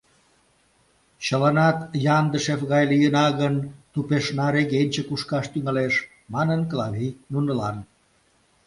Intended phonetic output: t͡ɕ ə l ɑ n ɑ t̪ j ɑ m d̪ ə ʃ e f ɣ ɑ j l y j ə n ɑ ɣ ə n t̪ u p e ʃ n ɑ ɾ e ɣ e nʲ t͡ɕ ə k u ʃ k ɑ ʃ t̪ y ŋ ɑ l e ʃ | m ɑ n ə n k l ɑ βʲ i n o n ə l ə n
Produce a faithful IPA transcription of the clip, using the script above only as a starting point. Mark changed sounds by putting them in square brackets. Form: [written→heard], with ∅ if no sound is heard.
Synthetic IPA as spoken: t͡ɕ ə l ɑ n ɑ t̪ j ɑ [m→n] d̪ ə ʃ e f ɣ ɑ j l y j ə n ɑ ɣ ə n t̪ u p e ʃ n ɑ ɾ e ɣ e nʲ t͡ɕ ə k u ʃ k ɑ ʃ t̪ y ŋ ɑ l e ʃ | m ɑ n ə n k l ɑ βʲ i n [o→u] n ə l [ə→ɑ] n